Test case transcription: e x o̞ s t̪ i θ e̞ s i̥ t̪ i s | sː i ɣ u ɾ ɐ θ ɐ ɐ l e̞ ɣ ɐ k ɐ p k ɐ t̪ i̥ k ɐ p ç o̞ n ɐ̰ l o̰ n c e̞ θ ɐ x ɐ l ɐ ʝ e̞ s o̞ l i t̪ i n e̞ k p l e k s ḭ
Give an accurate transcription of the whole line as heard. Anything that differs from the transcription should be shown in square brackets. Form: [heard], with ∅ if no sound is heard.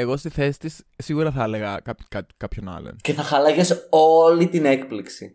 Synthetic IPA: e [ɣ] o̞ s t̪ i θ e̞ s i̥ t̪ i s | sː i ɣ u ɾ ɐ θ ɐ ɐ l e̞ ɣ ɐ k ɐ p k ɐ t̪ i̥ k ɐ p ç o̞ n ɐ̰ l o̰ n c e̞ θ ɐ x ɐ l ɐ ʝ e̞ s o̞ l i t̪ i n e̞ k p l [i] k s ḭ